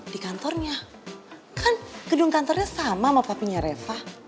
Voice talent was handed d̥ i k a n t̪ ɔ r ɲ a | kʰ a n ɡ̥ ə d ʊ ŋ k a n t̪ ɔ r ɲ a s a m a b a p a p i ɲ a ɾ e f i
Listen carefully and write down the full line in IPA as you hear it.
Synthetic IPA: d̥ i k a n t̪ ɔ r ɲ a | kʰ a n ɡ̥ ə d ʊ ŋ k a n t̪ ɔ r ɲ a s a m a m a p a p i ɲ a ɾ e f a